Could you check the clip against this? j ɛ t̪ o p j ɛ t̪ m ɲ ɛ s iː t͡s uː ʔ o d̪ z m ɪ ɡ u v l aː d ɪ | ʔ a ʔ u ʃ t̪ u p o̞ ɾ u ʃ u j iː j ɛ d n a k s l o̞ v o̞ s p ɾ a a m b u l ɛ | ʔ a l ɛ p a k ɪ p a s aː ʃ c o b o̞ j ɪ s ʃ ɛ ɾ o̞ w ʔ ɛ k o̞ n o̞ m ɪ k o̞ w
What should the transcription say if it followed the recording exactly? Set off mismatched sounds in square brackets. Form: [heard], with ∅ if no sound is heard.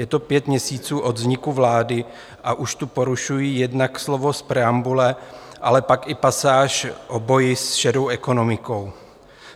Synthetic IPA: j ɛ t̪ o p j ɛ t̪ m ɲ ɛ s iː t͡s uː ʔ o d̪ z [ɲ] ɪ [k] u v l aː d ɪ | ʔ a ʔ u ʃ t̪ u p o̞ ɾ u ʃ u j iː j ɛ d n a k s l o̞ v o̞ s p ɾ [ɛ] a m b u l ɛ | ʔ a l ɛ p a k ɪ p a s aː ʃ [ʔ] o b o̞ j ɪ s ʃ ɛ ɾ o̞ w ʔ ɛ k o̞ n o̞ m ɪ k o̞ w